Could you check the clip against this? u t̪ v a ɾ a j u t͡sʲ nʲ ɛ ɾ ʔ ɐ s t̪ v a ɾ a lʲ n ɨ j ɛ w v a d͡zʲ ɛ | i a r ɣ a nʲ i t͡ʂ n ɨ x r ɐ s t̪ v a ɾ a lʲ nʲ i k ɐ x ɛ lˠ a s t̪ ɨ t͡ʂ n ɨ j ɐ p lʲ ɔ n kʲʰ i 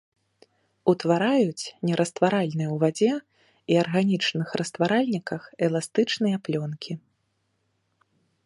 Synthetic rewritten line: u t̪ v a ɾ a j u t͡sʲ nʲ ɛ ɾ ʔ ɐ s t̪ v a ɾ a lʲ n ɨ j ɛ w v a d͡zʲ ɛ | i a r ɣ a nʲ i t͡ʂ n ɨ x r ɐ s t̪ v a ɾ a lʲ nʲ i k ɐ x ɛ lˠ a s t̪ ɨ t͡ʂ n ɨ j ɐ p lʲ ɔ n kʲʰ i